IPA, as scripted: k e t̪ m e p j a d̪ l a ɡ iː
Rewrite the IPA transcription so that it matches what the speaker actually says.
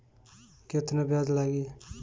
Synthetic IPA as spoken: k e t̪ n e b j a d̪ l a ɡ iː